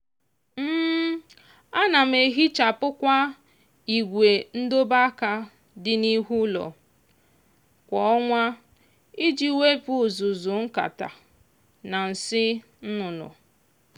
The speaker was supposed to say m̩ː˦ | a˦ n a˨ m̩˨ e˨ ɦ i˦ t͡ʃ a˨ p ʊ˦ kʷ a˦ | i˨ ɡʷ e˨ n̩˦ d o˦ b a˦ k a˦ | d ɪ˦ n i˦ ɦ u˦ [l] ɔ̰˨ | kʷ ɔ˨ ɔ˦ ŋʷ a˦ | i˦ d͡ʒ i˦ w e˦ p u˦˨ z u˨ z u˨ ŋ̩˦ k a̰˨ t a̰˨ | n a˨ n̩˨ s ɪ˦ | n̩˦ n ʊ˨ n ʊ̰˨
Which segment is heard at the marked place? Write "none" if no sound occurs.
l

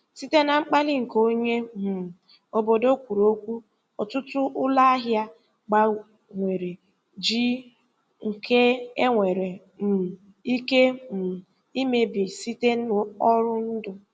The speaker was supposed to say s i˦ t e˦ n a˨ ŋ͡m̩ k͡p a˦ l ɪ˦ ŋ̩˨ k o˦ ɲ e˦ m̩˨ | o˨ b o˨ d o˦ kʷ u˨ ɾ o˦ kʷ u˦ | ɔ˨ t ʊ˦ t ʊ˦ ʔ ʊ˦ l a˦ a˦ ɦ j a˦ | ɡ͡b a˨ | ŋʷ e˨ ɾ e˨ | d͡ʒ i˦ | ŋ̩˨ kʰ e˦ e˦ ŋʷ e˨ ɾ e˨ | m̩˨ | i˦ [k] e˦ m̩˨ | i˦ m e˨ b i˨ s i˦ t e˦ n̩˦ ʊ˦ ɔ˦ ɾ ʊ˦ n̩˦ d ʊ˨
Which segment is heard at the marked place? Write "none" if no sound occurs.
k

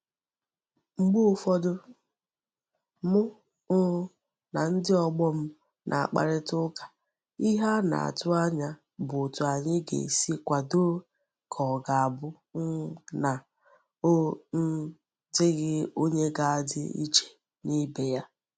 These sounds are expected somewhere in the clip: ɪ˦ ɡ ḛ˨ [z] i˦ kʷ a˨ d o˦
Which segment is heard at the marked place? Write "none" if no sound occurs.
s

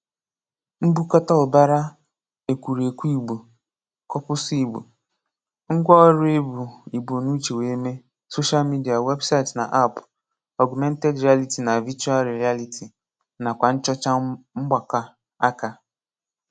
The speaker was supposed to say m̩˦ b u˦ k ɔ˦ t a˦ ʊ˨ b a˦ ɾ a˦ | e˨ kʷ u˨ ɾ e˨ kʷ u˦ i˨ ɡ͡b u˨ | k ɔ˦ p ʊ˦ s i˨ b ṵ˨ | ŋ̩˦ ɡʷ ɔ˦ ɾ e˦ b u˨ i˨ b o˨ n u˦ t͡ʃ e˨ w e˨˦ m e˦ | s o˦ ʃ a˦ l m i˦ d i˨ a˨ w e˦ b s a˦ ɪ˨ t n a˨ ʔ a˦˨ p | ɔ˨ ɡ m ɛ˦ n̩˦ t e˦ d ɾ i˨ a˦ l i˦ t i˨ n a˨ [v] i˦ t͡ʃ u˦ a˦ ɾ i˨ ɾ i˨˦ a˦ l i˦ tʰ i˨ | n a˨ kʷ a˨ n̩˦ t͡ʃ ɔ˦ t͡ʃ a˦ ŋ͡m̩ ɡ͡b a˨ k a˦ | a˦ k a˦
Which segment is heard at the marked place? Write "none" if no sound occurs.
v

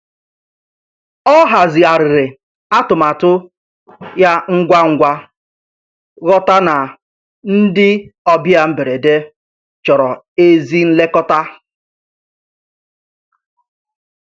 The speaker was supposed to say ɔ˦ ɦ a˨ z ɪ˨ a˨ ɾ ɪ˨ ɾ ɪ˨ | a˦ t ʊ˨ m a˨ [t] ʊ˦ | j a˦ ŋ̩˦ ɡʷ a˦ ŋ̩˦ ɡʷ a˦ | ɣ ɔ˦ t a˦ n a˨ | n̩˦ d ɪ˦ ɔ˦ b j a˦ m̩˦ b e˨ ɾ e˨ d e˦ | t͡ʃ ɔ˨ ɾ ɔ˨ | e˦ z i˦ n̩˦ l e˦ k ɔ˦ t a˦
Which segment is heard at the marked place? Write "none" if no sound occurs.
t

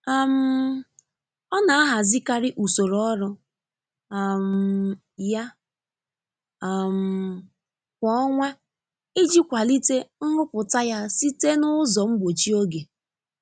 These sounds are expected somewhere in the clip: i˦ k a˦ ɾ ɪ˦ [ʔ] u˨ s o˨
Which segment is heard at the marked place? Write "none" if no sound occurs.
ʔ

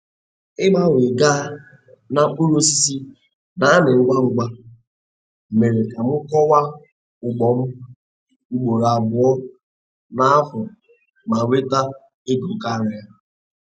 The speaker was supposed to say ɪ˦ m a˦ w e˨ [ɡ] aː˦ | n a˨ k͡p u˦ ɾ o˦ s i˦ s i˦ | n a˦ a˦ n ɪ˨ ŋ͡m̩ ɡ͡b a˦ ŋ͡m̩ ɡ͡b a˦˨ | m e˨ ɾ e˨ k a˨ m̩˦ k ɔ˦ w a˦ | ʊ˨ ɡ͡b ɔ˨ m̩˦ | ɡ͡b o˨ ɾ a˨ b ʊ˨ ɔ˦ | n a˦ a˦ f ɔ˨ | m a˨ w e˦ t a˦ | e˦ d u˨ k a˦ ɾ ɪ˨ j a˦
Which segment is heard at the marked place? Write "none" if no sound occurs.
ɡ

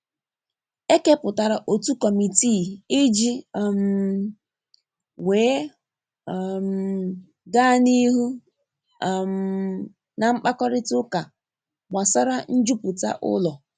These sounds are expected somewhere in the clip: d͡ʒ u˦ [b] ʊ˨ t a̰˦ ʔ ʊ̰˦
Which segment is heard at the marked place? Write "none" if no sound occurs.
p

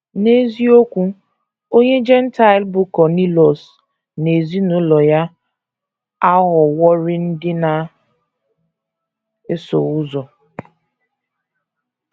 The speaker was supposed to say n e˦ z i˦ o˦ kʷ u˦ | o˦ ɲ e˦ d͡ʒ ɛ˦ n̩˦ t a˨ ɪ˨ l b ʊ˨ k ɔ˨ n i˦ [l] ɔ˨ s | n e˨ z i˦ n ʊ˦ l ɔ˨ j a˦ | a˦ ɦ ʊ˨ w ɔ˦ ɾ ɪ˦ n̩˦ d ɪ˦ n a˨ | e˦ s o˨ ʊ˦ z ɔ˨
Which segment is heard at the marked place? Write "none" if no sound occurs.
l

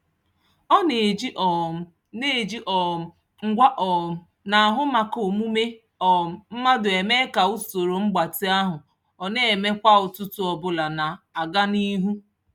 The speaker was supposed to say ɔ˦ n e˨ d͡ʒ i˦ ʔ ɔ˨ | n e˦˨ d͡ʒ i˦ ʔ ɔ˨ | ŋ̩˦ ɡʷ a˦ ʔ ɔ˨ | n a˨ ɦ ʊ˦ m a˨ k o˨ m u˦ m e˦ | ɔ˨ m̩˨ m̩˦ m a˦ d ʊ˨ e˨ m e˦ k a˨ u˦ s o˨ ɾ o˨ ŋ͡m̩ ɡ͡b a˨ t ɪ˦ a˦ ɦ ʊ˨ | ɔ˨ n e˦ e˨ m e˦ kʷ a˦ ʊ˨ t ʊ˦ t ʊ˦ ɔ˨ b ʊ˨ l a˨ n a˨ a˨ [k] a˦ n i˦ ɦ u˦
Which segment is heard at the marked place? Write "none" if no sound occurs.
ɡ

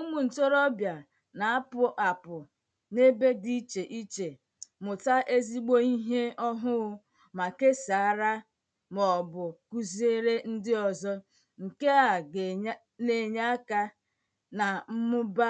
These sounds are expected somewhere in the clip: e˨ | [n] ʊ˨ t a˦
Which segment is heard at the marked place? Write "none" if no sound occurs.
m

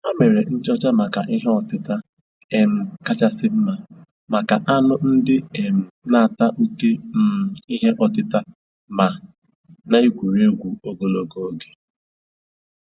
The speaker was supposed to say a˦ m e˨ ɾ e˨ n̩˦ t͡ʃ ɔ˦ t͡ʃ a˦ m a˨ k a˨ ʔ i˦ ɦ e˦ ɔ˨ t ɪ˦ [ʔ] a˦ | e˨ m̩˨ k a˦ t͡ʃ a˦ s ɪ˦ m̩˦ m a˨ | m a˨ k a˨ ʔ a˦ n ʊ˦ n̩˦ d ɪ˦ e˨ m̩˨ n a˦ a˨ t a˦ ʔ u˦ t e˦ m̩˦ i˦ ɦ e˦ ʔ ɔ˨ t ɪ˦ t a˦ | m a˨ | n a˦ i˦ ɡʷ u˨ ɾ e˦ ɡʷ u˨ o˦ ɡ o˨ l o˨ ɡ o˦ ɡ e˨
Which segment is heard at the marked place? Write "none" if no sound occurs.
t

